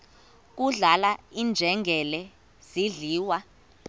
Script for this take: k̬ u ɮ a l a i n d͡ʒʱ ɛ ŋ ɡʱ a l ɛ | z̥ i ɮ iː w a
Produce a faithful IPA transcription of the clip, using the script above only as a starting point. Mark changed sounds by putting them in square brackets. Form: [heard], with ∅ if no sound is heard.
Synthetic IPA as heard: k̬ u ɮ a l a i n d͡ʒʱ ɛ ŋ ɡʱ [ɛ] l ɛ | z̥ i ɮ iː w a